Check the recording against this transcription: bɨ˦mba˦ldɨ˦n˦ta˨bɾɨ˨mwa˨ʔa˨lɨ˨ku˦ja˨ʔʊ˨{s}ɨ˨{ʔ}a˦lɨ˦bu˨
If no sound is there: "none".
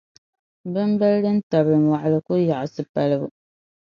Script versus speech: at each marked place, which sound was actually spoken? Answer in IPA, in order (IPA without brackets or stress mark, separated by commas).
s, p